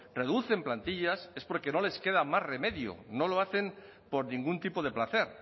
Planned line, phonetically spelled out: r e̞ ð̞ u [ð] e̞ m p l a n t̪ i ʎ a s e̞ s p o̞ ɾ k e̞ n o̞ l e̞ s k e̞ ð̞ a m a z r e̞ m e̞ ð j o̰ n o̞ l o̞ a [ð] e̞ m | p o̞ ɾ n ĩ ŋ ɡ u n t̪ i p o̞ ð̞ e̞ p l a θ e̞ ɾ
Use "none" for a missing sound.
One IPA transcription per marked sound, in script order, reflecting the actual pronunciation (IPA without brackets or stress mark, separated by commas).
θ, θ